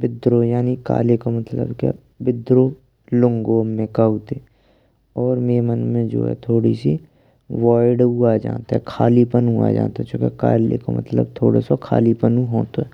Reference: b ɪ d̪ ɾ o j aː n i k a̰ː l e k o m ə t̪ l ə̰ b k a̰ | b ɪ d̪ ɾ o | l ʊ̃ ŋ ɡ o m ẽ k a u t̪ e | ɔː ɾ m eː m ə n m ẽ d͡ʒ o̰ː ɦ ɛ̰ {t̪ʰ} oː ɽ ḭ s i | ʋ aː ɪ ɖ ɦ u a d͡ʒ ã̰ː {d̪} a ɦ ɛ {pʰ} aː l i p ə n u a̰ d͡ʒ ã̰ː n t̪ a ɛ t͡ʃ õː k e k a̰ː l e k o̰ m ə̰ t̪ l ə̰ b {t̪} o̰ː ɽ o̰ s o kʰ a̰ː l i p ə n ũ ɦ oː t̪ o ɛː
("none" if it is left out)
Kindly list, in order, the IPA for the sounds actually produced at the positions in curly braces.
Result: t̪ʰ, t̪, kʰ, t̪ʰ

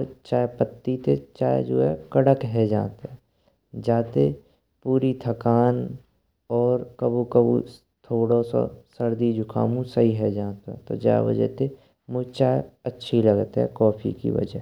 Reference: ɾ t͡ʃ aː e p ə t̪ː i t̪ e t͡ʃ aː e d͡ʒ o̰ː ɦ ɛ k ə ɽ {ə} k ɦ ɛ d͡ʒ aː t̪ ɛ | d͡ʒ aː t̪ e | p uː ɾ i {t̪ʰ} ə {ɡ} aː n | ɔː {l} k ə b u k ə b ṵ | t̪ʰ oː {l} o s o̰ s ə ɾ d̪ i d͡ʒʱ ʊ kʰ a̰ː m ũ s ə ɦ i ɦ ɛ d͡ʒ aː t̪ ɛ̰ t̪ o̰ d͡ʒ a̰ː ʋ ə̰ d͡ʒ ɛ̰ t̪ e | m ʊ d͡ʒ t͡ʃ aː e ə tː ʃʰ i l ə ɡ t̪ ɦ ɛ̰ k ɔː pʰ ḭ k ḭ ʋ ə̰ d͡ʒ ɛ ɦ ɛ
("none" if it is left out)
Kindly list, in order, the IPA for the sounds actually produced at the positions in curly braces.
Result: ə, t̪ʰ, k, ɾ, ɽ

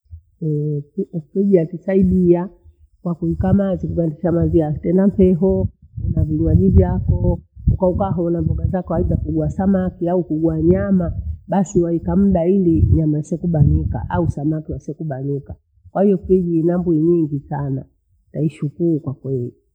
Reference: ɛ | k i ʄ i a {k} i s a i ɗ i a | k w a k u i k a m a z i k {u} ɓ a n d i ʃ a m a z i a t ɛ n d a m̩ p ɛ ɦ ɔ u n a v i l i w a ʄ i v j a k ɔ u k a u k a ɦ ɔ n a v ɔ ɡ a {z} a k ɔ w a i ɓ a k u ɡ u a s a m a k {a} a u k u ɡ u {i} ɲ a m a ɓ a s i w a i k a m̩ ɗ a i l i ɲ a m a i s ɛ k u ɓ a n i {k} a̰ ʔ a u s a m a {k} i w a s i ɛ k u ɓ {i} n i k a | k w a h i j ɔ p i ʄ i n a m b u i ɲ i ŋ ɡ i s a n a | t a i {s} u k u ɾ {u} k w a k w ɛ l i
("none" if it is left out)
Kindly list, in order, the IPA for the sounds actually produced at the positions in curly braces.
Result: t, u, z, i, a, k, k, a, ʃ, u

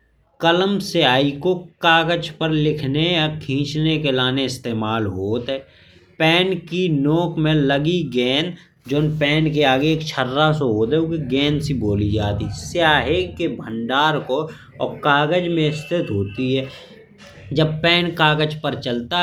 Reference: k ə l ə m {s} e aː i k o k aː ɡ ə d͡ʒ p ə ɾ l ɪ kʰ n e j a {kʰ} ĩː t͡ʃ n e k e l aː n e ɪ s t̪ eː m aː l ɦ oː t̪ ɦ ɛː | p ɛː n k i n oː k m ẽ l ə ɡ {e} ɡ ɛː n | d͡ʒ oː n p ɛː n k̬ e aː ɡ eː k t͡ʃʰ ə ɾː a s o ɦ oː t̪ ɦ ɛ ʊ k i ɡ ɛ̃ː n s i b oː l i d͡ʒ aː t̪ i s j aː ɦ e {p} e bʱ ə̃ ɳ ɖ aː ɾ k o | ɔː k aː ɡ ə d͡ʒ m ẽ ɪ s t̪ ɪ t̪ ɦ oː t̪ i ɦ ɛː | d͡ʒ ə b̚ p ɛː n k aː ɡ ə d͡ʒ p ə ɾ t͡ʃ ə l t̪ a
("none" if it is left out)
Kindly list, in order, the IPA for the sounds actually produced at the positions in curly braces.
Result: s, kʰ, i, k

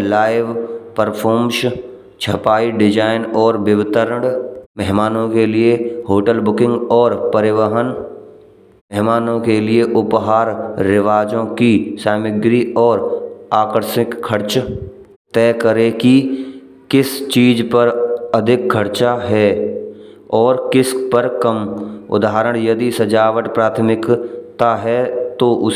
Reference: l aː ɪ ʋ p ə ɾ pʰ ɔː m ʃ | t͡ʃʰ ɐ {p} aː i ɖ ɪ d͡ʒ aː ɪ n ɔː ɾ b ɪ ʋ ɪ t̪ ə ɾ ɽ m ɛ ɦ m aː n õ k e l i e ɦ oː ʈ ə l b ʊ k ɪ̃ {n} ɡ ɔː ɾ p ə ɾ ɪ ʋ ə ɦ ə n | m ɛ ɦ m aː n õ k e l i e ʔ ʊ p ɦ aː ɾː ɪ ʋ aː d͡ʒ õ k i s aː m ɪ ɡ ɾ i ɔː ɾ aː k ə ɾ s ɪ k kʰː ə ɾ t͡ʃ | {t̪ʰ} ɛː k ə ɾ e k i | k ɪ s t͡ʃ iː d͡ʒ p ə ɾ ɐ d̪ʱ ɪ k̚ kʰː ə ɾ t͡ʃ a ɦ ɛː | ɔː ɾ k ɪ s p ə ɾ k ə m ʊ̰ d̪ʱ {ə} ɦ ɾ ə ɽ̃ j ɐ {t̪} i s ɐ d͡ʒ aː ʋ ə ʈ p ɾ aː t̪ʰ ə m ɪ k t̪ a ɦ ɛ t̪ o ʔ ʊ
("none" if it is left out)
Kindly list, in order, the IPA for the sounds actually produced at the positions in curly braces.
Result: p, ŋ, t̪, a, d̪

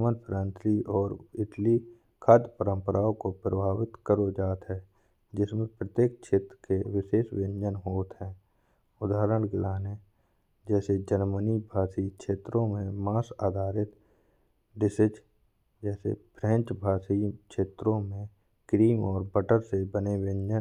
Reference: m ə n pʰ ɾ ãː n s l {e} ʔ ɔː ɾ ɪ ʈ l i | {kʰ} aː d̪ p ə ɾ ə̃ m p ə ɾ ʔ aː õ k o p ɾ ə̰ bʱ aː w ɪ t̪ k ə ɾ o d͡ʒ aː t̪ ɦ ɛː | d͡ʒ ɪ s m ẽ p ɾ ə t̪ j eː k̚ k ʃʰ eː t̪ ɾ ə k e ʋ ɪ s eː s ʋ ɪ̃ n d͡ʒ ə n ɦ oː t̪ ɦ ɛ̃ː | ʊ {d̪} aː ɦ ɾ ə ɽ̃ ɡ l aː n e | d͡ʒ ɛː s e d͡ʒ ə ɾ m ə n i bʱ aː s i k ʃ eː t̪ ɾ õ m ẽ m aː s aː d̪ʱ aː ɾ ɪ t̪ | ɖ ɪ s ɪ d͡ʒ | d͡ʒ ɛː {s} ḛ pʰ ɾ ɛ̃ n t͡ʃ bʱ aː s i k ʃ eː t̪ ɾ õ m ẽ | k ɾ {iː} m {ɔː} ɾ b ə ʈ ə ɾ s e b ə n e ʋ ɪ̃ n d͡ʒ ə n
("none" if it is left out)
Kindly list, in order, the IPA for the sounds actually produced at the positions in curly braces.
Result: i, kʰ, d̪, s, iː, ɔː

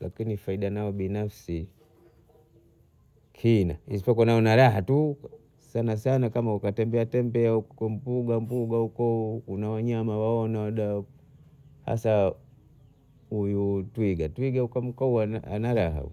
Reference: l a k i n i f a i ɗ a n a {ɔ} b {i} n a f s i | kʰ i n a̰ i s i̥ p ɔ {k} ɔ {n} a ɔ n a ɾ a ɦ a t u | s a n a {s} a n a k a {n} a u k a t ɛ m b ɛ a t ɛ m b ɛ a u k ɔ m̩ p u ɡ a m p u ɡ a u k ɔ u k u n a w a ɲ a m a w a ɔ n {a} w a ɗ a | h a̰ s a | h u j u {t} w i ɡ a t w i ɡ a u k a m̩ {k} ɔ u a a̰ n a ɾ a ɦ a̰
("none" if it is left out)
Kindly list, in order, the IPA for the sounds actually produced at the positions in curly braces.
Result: ɔ, i, k, n, s, m, a, t, k

